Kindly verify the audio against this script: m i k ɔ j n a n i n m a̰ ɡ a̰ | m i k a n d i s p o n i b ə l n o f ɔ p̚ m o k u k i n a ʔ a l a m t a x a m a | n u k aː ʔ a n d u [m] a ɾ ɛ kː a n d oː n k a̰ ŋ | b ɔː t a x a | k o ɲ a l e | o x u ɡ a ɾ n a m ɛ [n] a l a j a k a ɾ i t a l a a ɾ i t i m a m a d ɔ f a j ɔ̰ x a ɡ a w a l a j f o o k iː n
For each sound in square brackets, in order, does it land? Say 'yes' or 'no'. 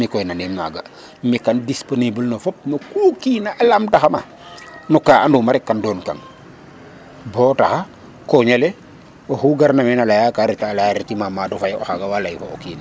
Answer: yes, yes

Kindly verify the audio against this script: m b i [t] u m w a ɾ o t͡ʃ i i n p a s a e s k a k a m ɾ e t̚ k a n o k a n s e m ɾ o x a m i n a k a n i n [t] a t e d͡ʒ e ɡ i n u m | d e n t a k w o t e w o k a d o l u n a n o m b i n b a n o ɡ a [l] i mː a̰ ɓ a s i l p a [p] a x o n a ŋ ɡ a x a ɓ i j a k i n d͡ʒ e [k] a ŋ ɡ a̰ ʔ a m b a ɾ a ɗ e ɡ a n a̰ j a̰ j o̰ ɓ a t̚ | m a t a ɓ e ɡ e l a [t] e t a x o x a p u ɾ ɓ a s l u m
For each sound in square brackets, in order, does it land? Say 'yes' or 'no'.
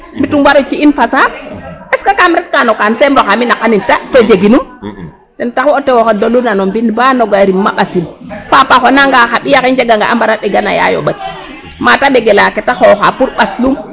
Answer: yes, yes, no, yes, no, no

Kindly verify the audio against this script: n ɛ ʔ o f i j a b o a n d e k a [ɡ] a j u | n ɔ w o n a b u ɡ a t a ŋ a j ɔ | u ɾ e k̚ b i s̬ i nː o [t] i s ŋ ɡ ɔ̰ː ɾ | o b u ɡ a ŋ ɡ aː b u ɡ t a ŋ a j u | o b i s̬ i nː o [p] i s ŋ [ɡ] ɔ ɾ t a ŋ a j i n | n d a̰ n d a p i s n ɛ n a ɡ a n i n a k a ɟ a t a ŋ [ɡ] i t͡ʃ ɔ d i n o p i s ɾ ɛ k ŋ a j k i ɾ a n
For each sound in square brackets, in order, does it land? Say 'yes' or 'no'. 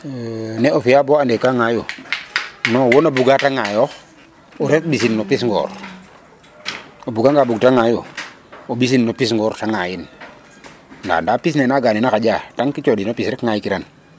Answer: no, no, yes, yes, no

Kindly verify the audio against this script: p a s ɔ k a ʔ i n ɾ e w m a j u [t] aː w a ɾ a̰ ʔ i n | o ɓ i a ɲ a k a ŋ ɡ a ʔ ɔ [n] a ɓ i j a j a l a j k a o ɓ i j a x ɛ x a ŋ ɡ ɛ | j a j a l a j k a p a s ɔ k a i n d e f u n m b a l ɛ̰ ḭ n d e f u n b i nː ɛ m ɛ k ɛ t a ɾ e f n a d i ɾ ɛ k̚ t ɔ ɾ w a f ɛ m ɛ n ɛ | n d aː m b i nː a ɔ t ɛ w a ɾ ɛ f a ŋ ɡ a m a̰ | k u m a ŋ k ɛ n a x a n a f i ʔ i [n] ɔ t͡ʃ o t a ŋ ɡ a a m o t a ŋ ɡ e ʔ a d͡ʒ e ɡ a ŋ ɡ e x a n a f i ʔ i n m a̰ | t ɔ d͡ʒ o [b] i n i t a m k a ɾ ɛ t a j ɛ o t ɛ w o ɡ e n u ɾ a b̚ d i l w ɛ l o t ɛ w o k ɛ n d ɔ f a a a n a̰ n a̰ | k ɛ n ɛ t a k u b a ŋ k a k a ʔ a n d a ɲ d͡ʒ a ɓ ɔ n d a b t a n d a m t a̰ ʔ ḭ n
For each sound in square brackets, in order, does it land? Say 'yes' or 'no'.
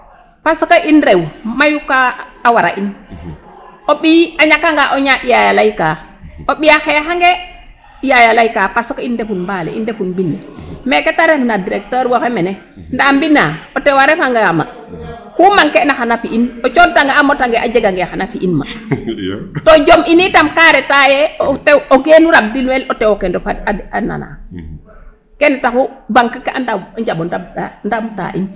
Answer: no, no, yes, no

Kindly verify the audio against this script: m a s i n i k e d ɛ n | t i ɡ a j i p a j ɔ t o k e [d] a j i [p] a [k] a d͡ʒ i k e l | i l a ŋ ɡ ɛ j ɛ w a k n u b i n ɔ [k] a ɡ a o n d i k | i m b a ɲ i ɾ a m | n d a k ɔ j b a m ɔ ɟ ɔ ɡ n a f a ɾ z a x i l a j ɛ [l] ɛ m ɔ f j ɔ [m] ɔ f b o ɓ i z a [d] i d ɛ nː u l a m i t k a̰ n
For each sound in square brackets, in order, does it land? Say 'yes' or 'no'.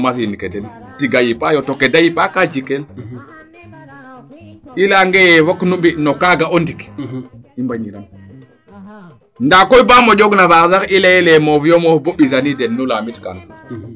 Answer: yes, yes, yes, yes, yes, yes, no

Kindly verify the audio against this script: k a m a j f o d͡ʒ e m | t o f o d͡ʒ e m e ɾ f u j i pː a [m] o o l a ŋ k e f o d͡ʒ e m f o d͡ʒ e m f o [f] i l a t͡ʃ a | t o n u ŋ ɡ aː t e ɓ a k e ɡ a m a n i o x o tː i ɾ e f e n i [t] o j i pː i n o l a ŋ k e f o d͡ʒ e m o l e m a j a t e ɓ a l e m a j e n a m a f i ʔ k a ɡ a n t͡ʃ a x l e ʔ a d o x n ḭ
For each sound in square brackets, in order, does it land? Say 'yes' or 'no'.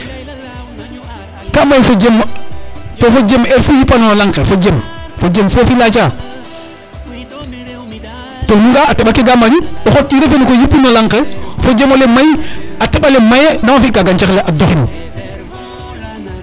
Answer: no, yes, no

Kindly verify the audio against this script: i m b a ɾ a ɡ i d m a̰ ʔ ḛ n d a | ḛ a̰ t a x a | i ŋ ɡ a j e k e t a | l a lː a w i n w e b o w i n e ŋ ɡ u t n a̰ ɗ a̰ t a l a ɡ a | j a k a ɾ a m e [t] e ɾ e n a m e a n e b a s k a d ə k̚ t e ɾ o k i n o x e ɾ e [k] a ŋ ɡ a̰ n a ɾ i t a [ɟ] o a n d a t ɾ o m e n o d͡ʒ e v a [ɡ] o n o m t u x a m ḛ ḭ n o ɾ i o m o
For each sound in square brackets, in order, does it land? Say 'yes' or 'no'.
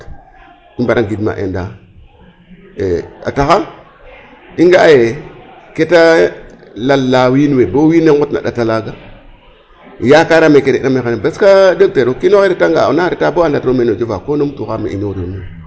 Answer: no, no, no, no

